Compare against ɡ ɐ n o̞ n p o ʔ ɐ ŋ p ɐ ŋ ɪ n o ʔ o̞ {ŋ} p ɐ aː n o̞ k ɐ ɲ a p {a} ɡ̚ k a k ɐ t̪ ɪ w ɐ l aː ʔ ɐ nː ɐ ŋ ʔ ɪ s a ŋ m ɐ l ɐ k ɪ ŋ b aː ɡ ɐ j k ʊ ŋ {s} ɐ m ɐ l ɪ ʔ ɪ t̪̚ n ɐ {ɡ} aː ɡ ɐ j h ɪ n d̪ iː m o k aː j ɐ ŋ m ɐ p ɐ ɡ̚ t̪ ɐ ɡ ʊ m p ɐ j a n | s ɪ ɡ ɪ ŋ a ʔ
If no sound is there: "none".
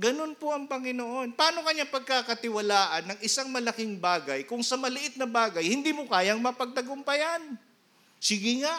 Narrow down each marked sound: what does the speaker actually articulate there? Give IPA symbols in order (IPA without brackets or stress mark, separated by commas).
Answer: n, ɐ, s, b